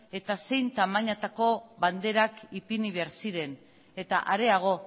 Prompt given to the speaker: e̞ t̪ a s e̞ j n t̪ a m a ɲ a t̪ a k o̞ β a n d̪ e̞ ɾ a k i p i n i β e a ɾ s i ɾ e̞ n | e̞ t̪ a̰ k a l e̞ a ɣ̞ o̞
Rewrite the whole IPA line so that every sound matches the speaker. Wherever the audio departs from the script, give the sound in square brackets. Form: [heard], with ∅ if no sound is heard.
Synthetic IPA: e̞ t̪ a s e̞ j n t̪ a m a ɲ a t̪ a k o̞ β a n d̪ e̞ ɾ a k i p i n i β e a ɾ s i ɾ e̞ n | e̞ t̪ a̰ [ʔ] a [ɾ] e̞ a ɣ̞ o̞